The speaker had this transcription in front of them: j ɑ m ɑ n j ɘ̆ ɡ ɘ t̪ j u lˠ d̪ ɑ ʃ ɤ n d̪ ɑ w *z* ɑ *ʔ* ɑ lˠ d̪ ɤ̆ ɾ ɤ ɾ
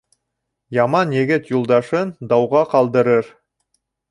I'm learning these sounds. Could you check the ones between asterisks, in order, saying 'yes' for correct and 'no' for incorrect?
no, no

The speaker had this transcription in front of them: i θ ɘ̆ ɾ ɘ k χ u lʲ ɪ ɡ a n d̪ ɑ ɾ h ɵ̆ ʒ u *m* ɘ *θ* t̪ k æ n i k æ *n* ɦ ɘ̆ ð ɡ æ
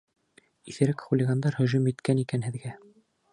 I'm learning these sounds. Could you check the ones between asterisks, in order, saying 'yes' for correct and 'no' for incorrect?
yes, no, yes

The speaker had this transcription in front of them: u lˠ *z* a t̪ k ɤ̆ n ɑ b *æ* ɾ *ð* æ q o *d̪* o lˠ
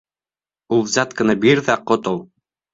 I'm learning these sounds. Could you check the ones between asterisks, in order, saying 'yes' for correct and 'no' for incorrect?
yes, no, yes, no

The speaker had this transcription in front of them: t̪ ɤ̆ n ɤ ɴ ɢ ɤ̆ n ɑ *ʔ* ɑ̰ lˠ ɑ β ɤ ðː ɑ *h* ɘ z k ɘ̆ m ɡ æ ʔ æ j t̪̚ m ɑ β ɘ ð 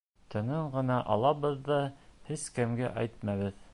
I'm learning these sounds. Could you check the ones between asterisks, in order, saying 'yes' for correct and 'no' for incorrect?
yes, yes

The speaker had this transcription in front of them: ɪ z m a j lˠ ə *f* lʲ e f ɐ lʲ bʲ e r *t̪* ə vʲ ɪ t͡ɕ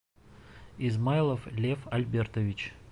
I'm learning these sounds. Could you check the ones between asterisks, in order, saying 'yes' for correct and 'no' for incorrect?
yes, yes

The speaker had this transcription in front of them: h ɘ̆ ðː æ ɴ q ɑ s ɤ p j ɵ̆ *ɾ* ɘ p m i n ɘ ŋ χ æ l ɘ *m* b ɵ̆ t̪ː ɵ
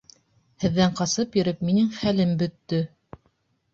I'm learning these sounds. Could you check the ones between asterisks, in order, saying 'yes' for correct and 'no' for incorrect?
yes, yes

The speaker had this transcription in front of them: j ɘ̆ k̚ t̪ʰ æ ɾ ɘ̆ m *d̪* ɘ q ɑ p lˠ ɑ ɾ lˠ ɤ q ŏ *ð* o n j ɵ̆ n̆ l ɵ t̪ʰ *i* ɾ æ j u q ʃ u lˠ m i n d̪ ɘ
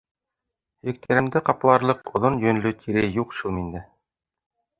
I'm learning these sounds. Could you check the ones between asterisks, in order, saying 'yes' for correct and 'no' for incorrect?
yes, yes, yes

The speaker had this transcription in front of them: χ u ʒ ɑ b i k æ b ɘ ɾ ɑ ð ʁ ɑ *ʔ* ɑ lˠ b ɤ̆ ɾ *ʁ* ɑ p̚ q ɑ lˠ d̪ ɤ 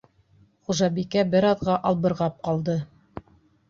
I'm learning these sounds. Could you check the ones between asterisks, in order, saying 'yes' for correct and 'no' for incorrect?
yes, yes

